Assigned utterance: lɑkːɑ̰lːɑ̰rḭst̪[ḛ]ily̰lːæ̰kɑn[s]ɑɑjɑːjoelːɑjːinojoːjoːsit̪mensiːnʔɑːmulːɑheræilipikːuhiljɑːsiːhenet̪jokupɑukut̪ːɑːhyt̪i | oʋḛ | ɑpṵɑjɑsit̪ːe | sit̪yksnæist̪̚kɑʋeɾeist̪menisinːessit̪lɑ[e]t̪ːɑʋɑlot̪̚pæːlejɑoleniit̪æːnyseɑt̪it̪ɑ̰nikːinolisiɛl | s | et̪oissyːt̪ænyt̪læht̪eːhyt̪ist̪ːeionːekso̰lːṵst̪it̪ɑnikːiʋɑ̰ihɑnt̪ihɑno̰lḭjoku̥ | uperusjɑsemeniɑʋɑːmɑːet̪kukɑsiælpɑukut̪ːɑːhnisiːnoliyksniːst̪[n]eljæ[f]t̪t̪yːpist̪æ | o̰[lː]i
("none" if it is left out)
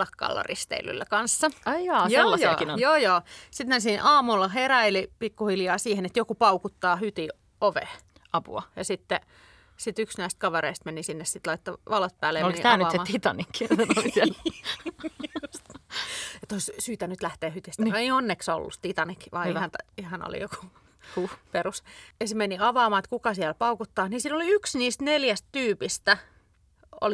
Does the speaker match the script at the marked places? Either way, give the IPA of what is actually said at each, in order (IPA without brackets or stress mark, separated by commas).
ḛ, sː, i, n, s, l